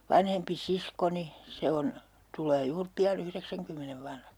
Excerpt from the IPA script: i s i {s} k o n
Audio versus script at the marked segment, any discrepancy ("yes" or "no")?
no